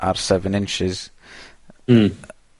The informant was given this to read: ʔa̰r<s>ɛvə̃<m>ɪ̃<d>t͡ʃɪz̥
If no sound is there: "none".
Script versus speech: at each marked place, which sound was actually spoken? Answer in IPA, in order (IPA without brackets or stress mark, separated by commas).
s, n, n